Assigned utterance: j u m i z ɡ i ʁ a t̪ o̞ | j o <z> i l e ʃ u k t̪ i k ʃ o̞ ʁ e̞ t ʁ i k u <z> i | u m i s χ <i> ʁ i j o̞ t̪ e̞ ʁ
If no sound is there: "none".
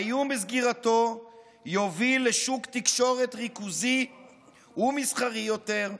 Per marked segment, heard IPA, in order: v, z, a

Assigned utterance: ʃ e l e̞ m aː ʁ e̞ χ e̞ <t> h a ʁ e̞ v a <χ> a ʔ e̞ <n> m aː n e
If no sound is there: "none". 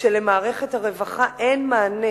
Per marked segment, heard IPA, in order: t, χ, n

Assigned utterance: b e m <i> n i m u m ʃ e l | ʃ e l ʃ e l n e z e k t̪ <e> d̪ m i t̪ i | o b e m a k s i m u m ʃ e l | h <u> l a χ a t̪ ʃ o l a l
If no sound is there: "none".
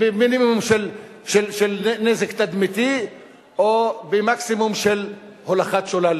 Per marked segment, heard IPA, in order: i, a, o

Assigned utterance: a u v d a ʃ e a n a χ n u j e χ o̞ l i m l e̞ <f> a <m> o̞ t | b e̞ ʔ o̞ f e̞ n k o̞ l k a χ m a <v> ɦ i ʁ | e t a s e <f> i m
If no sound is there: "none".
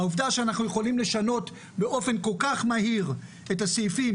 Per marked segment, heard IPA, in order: ʃ, n, none, f

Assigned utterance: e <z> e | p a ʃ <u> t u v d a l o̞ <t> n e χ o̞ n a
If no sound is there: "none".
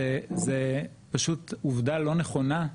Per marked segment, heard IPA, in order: z, u, none

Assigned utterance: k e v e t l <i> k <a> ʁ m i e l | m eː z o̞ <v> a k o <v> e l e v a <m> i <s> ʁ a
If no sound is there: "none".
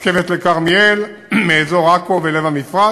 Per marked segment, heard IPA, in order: e, a, ʁ, v, m, f

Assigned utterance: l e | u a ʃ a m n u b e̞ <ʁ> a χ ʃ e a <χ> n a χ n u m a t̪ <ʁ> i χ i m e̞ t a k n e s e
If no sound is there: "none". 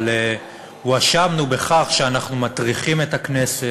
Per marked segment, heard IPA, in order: χ, none, ʁ

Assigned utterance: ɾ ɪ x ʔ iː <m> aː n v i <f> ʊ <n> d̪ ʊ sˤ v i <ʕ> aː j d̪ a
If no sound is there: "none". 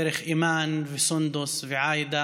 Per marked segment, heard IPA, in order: m, s, n, ʕ

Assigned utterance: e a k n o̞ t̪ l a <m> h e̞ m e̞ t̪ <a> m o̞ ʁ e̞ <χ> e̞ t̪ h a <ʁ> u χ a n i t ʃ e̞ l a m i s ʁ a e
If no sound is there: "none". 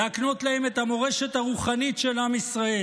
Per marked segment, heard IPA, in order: none, a, ʃ, ʁ

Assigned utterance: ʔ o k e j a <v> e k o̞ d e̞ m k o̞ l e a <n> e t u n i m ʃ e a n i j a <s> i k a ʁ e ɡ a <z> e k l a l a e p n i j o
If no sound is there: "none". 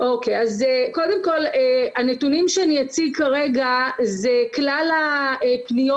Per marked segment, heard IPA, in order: z, n, t͡s, z

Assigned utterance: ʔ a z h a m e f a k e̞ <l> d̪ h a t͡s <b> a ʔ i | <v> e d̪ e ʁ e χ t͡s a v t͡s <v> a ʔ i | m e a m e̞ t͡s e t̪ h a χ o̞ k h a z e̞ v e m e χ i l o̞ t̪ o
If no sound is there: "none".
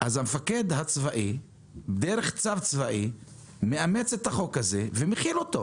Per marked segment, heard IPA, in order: none, v, b, v

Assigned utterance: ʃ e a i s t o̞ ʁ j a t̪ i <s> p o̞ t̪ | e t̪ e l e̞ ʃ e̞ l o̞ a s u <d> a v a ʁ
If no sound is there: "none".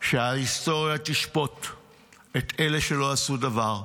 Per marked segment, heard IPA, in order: ʃ, d

